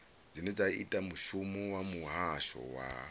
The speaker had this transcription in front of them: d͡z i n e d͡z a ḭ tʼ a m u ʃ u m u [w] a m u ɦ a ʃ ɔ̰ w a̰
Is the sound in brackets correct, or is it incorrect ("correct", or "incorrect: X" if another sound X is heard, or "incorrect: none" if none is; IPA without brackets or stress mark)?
correct